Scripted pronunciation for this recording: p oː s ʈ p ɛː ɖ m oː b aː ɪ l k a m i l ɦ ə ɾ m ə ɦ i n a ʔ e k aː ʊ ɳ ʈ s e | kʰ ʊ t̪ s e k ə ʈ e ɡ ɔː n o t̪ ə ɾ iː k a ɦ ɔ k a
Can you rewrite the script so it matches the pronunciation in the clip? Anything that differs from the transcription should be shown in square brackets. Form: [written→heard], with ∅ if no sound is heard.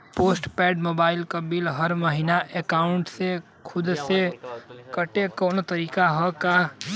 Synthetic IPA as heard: p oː s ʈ p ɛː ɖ m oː b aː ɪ l k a [m→b] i l ɦ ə ɾ m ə ɦ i n a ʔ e k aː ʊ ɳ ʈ s e | kʰ ʊ [t̪→d̪] s e k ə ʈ e [ɡ→k] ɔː n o t̪ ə ɾ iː k a ɦ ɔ k a